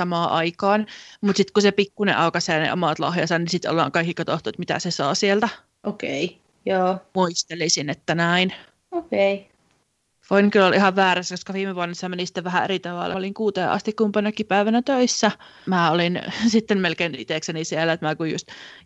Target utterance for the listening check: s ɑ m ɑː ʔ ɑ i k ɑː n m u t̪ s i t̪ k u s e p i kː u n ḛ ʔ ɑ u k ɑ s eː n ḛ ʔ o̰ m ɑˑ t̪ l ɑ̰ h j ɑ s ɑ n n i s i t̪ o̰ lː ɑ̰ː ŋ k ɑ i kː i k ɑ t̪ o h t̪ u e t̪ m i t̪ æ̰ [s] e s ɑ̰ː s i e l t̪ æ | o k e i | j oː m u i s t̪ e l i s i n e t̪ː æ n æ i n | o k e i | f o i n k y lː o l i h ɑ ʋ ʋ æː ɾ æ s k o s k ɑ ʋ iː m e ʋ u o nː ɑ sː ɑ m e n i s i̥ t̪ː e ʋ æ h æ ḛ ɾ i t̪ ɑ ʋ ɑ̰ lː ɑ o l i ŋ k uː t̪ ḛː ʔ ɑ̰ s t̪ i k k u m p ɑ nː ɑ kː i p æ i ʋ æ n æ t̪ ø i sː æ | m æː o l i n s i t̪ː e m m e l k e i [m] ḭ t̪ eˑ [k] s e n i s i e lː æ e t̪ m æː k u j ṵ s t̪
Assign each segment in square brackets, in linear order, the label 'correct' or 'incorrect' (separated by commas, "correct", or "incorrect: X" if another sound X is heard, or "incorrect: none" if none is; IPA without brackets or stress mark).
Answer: correct, incorrect: n, correct